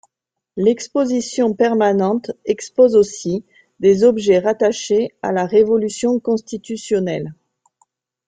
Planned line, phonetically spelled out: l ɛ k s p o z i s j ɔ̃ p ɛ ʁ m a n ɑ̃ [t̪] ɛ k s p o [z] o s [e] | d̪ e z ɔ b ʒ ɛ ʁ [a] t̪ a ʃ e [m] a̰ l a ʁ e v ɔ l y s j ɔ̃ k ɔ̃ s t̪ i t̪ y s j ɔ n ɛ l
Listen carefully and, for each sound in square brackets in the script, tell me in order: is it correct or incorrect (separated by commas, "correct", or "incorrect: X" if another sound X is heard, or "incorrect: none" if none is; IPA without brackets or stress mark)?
correct, correct, incorrect: i, correct, incorrect: none